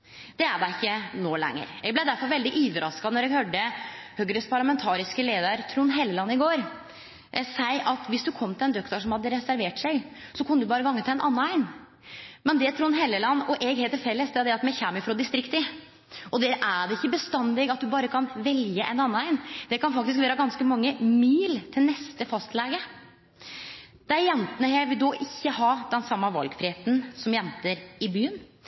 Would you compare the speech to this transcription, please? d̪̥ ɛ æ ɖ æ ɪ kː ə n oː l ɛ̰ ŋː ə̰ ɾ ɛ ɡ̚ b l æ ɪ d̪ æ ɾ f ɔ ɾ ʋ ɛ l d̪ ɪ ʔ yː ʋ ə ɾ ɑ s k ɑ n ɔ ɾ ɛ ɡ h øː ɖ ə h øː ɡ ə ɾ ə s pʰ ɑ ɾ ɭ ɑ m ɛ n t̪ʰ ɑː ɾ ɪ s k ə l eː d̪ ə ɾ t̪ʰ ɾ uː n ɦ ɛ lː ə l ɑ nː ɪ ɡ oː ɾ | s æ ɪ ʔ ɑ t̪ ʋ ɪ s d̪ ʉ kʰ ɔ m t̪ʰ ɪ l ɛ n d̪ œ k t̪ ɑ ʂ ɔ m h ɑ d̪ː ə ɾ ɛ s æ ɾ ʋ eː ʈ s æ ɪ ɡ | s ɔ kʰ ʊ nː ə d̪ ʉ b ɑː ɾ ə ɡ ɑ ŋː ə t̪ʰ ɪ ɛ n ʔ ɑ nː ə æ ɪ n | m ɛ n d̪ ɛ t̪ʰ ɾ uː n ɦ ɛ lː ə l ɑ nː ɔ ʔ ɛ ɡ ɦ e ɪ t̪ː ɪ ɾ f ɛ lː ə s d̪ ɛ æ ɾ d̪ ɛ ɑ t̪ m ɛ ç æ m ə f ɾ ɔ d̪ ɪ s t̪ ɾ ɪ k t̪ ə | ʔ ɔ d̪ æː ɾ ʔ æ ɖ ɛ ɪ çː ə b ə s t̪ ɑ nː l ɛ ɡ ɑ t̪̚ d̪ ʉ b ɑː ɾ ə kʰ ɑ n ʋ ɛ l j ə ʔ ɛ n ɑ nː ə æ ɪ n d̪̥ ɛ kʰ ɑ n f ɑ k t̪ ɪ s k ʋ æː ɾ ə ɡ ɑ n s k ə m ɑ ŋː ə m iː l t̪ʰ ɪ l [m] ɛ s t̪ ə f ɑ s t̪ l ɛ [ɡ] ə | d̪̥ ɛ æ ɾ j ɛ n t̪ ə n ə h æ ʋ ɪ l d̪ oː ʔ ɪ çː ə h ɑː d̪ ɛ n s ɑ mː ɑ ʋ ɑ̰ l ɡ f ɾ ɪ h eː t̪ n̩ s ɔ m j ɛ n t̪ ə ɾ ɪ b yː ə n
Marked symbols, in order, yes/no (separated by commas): no, yes